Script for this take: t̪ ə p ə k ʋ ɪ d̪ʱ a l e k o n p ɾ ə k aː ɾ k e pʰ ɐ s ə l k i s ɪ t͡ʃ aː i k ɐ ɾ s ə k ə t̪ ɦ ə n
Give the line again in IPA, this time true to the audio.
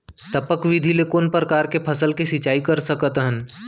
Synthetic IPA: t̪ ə p ə k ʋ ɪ d̪ʱ i l e k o n p ɾ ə k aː ɾ k e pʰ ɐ s ə l k i s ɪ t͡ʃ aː i k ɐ ɾ s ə k ə t̪ ɦ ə n